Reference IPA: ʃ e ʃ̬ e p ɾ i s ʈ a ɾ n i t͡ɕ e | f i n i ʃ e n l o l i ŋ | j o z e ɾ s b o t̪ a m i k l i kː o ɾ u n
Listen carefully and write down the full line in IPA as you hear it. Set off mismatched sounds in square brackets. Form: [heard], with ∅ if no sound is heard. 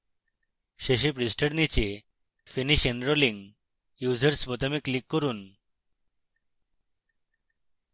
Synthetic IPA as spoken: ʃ e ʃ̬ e p ɾ i s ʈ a ɾ n i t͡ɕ e | f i n i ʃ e n [ɾ] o l i ŋ | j [u] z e ɾ s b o t̪ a m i k l i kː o ɾ u n